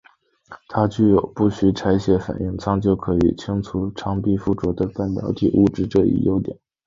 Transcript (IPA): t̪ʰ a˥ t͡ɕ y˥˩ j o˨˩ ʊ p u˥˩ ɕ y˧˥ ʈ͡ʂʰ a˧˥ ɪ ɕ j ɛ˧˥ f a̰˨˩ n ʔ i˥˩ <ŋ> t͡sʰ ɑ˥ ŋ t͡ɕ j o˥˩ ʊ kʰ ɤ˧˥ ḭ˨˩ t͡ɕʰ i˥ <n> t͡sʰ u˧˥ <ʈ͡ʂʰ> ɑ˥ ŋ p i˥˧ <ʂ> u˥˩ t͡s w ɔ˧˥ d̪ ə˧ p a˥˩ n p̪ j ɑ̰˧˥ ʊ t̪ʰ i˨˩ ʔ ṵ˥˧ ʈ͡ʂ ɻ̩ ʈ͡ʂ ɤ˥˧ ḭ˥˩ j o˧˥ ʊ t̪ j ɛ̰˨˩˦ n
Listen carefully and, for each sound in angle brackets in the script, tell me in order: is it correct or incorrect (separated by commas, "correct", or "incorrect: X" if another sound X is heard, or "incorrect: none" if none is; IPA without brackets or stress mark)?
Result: correct, incorrect: ŋ, correct, incorrect: f